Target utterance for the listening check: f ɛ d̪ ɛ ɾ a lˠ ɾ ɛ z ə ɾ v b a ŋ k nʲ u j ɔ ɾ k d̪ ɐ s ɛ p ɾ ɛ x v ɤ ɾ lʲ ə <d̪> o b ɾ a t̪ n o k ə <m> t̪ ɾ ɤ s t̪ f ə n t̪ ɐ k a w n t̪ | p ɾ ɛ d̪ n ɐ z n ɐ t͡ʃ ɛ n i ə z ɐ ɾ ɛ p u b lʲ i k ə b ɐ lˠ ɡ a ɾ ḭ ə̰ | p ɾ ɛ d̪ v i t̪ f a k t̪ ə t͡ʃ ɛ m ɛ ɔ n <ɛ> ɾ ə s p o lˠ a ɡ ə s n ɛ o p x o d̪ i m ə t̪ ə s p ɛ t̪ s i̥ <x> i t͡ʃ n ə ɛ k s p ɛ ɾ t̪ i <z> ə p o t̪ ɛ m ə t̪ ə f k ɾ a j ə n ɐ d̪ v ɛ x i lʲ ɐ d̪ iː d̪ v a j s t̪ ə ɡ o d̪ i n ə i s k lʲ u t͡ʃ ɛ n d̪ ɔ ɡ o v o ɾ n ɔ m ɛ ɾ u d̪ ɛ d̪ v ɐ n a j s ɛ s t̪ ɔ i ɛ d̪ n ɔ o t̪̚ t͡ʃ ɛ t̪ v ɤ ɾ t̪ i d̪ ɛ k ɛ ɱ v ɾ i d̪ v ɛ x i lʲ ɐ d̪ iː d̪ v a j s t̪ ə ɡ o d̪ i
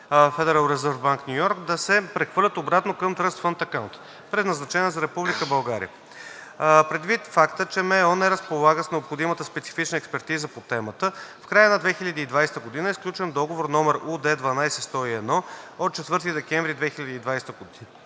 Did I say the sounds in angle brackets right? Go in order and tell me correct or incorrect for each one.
incorrect, correct, correct, incorrect, correct

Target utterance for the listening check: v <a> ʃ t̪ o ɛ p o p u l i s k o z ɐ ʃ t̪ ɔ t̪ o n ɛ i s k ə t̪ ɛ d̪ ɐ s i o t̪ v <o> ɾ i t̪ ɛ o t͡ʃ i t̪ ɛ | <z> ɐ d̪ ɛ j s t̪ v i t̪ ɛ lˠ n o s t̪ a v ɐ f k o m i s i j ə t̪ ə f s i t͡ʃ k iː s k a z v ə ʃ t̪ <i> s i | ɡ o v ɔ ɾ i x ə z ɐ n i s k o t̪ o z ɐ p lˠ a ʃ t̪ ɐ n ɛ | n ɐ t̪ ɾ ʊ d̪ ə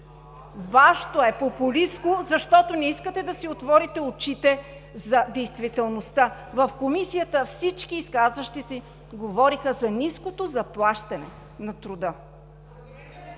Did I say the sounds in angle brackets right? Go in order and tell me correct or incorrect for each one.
correct, incorrect, correct, correct

